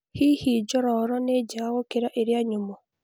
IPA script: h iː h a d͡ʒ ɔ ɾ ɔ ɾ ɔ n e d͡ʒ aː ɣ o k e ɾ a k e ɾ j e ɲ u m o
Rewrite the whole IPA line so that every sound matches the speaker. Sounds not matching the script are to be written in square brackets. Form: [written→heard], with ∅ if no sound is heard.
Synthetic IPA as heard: h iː h [a→i] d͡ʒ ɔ ɾ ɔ ɾ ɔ n e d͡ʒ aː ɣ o k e ɾ a [k→ʔ] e ɾ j [e→a] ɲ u m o

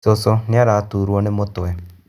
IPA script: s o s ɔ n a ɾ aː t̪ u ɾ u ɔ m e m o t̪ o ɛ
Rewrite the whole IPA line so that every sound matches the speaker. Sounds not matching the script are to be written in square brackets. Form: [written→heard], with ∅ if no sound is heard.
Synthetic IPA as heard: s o s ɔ n a ɾ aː t̪ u ɾ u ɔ [m→n] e m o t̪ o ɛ

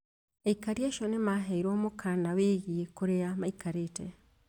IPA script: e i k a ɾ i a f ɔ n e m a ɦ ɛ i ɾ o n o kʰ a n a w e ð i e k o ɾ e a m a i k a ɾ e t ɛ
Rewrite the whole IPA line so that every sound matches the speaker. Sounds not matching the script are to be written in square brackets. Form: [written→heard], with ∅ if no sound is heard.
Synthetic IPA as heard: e i k a ɾ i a [f→ʃ] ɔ n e m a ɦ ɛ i ɾ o [n→m] o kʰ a n a w e [ð→ɣ] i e k o ɾ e a m a i k a ɾ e t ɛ

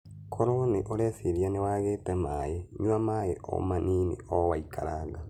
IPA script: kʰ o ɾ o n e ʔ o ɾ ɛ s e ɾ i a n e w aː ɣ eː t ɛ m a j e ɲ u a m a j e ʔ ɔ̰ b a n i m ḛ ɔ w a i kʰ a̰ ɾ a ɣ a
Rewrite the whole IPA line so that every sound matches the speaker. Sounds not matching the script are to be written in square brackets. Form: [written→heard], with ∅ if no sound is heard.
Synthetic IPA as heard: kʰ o ɾ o n e ʔ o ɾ ɛ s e ɾ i a n e w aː ɣ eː t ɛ m a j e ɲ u a m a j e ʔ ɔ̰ [b→m] a n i [m→n] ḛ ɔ w a i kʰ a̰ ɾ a ɣ a

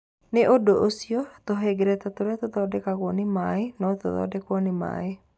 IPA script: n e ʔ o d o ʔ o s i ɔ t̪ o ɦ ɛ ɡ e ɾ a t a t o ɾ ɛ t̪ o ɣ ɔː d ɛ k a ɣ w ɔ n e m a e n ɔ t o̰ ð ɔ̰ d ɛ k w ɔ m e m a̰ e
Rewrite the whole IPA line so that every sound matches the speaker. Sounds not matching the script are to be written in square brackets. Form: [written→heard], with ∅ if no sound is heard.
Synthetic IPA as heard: n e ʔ o d o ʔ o s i ɔ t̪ o ɦ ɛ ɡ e ɾ [a→ɛ] t a t o ɾ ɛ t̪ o [ɣ→ð] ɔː d ɛ k a ɣ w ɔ n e m a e n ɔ t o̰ ð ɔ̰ d ɛ k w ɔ [m→n] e m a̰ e

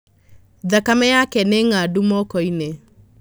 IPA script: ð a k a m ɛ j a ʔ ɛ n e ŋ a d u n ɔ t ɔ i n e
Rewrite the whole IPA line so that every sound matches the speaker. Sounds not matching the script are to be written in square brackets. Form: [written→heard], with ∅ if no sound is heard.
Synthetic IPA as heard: ð a k a m ɛ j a [ʔ→k] ɛ n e ŋ a d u [n→m] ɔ [t→k] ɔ i n e

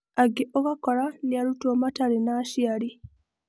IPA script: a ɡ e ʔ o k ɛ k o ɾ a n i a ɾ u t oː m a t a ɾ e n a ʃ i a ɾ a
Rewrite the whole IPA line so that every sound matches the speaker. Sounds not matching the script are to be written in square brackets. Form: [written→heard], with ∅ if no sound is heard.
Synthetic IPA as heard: a ɡ e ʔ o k [ɛ→a] k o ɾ a n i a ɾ u t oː m a t a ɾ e n a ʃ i a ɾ [a→i]

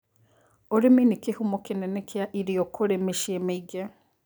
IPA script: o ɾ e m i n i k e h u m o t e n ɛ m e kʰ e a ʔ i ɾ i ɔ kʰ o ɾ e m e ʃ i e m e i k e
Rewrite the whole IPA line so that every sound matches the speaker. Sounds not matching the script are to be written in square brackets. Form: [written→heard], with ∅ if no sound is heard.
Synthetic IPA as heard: o ɾ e m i n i k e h u m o [t→k] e n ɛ [m→n] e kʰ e a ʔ i ɾ i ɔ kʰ o ɾ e m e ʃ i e m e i [k→ɡ] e

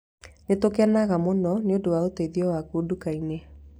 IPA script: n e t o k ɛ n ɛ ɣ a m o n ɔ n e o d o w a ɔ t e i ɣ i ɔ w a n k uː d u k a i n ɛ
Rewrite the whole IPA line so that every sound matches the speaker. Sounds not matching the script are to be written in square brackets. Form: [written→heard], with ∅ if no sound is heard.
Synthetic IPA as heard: n e t o k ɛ n [ɛ→a] ɣ a m o n ɔ n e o d o w a [ɔ→o] t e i [ɣ→ð] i ɔ w a [n→∅] k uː d u k a i n [ɛ→e]

